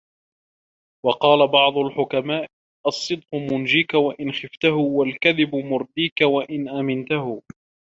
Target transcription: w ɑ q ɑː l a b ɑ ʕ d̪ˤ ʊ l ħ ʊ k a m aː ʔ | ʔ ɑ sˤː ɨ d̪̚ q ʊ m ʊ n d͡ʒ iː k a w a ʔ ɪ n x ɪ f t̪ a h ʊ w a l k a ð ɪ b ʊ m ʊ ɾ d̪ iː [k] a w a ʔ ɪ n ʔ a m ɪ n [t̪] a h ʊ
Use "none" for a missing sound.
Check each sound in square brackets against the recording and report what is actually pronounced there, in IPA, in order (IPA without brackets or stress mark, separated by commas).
k, t̪